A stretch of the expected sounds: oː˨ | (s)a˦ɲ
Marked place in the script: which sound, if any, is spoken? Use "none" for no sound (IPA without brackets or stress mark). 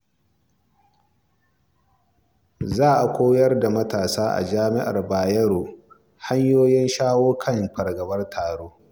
h